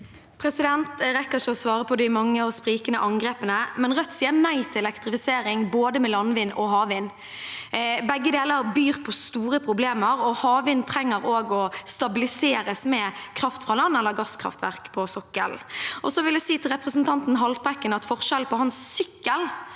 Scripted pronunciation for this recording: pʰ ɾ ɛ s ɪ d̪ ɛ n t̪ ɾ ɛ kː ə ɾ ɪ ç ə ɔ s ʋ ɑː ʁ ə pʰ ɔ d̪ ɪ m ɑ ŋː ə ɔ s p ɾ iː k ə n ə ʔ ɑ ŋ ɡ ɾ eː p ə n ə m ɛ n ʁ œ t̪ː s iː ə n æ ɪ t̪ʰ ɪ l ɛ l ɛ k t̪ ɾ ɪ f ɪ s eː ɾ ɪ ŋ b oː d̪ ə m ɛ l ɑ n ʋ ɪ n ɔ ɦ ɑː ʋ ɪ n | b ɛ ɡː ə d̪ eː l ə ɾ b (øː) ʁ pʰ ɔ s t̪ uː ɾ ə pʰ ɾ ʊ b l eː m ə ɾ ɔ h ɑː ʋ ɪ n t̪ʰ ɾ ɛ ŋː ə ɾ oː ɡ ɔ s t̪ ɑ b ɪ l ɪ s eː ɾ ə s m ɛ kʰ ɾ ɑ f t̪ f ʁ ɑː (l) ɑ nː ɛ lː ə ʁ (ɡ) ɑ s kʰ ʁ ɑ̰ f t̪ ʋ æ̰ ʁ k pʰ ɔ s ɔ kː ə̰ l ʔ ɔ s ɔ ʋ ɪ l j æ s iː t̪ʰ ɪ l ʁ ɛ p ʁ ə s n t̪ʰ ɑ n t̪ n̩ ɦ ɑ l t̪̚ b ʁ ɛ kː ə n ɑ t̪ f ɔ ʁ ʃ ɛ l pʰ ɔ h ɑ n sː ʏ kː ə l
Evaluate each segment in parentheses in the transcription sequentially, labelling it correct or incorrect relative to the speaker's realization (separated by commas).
incorrect, correct, correct